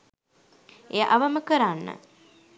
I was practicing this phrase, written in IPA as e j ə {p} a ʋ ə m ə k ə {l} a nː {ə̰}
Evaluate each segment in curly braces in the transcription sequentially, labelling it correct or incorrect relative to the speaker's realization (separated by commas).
incorrect, incorrect, correct